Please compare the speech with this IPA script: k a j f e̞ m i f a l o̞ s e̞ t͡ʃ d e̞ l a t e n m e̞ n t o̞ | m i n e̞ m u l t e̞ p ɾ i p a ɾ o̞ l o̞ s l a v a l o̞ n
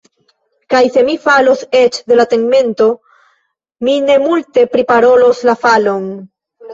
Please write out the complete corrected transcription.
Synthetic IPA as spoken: k a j s e̞ m i f a l o̞ s e̞ t͡ʃ d e̞ l a t e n m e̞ n t o̞ | m i n e̞ m u l t e̞ p ɾ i p a ɾ o̞ l o̞ s l a f a l o̞ n